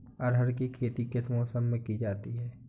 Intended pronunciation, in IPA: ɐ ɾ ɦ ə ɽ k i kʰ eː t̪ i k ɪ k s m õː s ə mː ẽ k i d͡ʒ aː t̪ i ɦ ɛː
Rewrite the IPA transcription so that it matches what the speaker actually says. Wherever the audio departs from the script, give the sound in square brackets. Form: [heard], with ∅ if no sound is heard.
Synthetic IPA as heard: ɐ ɾ ɦ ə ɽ k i kʰ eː t̪ i k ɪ [∅] s m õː s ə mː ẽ k i d͡ʒ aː t̪ i ɦ ɛː